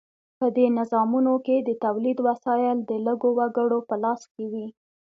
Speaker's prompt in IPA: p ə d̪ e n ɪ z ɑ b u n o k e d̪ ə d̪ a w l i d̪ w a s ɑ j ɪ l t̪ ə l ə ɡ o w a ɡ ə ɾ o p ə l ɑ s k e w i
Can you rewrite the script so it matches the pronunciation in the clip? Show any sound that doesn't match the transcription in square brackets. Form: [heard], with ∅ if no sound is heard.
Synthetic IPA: p ə d̪ e n ɪ z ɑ [m] u n o k e d̪ ə [t̪] a w l i d̪ w a s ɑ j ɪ l [d̪] ə l ə ɡ o w a ɡ ə [ɽ] o p ə l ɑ s k e w i